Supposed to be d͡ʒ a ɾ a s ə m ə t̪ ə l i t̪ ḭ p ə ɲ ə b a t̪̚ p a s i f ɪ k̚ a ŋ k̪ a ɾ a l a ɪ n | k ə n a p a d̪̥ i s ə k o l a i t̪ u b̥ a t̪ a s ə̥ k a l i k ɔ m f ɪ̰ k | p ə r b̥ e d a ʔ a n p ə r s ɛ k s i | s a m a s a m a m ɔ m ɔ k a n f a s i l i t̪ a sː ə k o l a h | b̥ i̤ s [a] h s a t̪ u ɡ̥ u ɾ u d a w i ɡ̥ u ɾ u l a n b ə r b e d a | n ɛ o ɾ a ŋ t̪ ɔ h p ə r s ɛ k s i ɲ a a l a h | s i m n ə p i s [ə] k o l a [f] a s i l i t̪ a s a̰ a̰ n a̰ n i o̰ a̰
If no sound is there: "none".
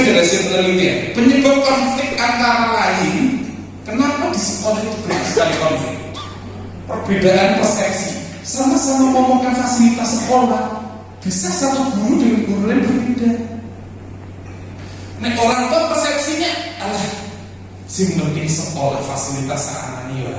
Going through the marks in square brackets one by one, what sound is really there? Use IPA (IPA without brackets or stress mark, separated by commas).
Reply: a, ə, f